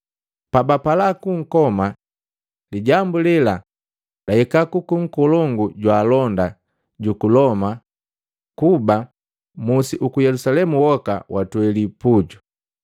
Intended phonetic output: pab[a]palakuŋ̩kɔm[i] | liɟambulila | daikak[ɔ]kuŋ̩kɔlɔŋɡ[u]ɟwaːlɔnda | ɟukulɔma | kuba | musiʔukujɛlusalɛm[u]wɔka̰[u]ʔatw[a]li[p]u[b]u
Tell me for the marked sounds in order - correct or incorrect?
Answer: correct, incorrect, incorrect, correct, correct, incorrect, incorrect, correct, incorrect

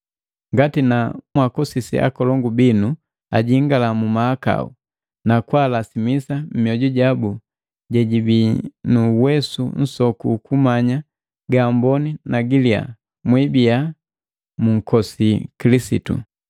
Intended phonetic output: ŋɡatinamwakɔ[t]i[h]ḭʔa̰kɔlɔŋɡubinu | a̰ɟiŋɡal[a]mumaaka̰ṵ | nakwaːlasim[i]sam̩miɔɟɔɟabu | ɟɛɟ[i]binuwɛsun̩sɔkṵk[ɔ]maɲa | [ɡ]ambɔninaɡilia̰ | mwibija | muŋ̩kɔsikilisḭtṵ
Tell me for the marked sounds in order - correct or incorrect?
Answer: incorrect, incorrect, correct, correct, correct, incorrect, correct

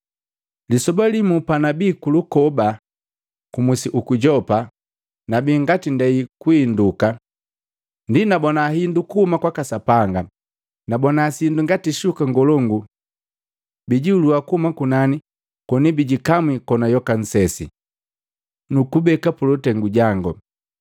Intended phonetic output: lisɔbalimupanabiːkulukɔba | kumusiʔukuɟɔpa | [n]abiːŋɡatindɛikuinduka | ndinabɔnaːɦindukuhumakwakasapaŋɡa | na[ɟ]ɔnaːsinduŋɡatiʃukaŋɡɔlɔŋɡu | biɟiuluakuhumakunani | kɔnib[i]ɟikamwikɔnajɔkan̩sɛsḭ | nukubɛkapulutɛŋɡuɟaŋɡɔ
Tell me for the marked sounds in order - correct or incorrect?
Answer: correct, incorrect, correct

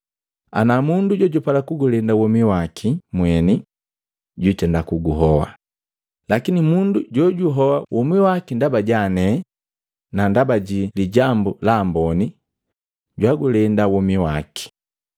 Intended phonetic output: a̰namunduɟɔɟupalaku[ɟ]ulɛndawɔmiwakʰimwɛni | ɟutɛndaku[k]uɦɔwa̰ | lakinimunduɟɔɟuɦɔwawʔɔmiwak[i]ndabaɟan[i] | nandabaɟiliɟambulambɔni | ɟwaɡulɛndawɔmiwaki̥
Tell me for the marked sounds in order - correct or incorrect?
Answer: incorrect, incorrect, correct, incorrect

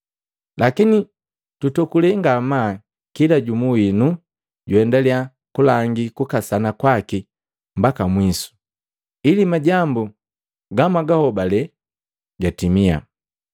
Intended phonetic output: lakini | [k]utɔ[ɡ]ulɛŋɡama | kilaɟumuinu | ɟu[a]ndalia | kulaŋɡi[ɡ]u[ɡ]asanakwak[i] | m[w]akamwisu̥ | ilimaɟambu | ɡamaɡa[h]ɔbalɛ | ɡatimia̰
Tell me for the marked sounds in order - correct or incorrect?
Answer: incorrect, incorrect, incorrect, incorrect, incorrect, correct, incorrect, correct

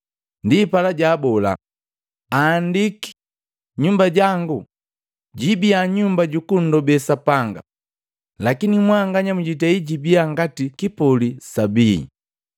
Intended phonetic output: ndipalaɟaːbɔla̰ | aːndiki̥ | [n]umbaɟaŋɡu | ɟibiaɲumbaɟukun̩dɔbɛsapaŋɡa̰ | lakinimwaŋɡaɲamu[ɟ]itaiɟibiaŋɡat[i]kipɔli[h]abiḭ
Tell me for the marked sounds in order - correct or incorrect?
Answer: incorrect, correct, correct, incorrect

